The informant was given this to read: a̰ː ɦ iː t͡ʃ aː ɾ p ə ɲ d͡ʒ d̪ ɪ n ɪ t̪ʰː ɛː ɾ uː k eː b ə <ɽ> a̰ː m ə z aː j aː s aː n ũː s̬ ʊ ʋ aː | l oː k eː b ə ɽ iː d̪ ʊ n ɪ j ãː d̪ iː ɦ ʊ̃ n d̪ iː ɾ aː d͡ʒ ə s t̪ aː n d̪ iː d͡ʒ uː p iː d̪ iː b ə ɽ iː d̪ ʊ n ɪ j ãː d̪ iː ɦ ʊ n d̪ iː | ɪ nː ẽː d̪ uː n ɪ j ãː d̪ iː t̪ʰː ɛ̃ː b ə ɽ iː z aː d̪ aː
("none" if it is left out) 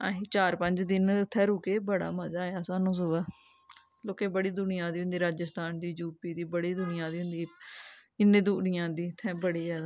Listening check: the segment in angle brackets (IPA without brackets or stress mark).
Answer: ɽ